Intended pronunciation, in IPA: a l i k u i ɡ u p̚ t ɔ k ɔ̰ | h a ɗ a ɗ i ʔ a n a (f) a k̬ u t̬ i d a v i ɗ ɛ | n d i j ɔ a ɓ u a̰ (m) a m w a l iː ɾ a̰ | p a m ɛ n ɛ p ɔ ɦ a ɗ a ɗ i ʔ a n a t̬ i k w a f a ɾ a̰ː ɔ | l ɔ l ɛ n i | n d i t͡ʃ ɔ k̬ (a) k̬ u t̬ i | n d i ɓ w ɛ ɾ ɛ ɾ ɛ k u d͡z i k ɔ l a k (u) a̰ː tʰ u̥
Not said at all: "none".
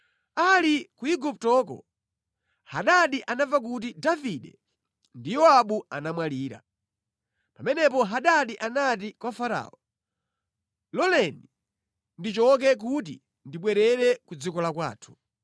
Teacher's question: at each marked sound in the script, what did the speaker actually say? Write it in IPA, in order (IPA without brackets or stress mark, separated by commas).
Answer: v, n, ɛ, w